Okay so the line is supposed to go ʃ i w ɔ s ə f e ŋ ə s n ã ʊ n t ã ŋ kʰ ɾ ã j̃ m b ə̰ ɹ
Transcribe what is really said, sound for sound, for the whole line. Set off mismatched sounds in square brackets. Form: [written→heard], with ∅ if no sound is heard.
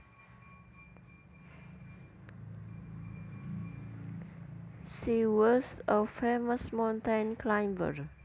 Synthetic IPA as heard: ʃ i w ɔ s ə f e [ŋ→m] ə s [n→m] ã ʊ n t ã [ŋ→n] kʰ [ɾ→l] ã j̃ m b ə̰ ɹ